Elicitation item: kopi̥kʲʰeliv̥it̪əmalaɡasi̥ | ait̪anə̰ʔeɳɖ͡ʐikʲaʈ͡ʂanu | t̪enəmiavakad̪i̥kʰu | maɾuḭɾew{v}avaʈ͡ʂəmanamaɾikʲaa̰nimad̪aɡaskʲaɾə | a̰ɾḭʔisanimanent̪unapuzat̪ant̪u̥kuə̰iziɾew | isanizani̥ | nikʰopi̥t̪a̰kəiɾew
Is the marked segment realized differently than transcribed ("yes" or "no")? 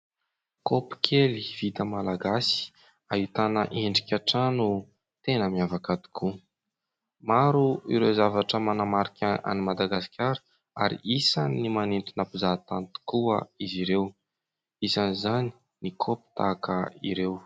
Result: yes